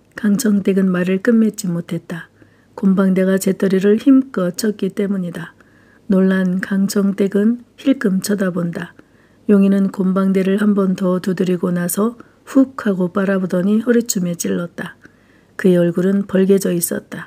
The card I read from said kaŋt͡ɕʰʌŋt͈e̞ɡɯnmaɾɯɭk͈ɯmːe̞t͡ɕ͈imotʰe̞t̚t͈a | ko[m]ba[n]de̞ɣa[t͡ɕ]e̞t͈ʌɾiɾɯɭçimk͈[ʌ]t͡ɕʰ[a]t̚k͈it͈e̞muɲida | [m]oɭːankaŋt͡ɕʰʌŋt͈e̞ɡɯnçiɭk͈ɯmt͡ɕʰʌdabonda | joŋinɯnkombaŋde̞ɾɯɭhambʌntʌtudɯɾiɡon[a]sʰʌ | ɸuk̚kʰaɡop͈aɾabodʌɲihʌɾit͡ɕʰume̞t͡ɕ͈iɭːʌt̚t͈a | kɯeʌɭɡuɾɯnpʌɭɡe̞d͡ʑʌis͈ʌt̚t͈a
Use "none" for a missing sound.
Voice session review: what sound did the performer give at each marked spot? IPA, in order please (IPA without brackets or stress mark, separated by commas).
m, ŋ, t͡ɕ, ʌ, ʌ, n, a